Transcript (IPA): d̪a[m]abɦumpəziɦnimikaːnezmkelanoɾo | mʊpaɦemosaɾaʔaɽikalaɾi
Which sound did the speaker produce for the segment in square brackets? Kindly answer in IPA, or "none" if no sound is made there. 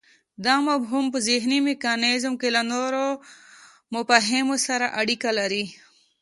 m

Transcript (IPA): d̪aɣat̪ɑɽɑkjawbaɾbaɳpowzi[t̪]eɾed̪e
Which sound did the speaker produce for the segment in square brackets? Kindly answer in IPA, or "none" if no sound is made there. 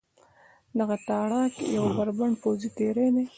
t̪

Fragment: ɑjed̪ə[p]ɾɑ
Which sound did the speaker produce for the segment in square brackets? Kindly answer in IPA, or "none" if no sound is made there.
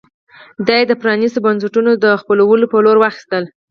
p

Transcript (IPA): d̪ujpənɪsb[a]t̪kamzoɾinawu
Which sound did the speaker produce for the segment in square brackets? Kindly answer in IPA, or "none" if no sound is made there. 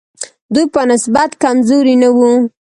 a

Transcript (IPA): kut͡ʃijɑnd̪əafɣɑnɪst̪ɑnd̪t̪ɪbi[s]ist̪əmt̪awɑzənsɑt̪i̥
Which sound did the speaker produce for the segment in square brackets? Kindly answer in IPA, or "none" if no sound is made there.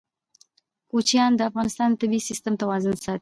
s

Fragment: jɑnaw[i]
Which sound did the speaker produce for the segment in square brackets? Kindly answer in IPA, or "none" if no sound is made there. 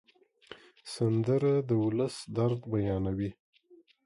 i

